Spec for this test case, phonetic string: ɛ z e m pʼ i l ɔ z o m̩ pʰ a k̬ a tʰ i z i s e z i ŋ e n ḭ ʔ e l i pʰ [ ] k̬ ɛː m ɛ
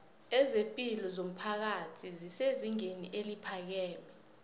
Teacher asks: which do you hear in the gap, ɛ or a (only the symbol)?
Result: a